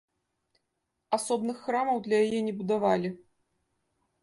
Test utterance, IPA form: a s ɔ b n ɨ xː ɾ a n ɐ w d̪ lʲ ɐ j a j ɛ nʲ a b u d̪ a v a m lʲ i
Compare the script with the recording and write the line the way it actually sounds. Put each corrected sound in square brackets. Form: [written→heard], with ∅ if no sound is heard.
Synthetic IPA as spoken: a s ɔ b n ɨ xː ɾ a [n→m] ɐ w d̪ lʲ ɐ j a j ɛ nʲ [a→ɛ] b u d̪ a v a [m→∅] lʲ i